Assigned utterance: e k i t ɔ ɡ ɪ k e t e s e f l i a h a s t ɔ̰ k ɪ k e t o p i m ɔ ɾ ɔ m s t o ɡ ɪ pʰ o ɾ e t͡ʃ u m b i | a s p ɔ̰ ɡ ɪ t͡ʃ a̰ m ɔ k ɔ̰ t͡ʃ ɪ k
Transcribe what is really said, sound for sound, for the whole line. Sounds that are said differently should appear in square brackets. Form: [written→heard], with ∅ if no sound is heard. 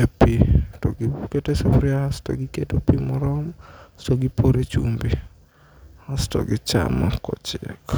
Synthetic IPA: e [k→p] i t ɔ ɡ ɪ k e t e s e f [l→ɾ] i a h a s t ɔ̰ [k→ɡ] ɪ k e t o p i m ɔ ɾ ɔ m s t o ɡ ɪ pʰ o ɾ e t͡ʃ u m b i | a s [p→t] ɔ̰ ɡ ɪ t͡ʃ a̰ m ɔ k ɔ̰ t͡ʃ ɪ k